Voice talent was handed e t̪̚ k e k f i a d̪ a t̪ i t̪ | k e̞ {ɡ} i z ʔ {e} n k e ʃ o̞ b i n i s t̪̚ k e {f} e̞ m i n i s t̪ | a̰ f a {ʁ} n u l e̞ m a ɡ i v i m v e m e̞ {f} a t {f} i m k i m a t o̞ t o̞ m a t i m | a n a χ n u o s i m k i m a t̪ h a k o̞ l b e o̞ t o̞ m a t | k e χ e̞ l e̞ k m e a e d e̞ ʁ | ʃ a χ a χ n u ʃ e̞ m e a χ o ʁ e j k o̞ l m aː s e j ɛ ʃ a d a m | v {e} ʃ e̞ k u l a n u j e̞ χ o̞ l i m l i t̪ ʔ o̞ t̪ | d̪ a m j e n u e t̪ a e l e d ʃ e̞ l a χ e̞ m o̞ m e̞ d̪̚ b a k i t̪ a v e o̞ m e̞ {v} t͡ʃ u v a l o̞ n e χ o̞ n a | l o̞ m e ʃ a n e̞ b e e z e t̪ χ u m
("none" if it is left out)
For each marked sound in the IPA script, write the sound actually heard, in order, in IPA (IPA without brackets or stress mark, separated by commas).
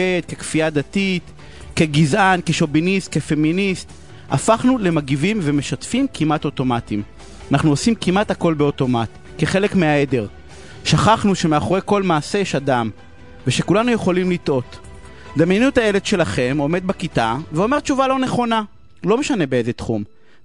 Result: ɡ, a, f, χ, ʃ, f, e, ʁ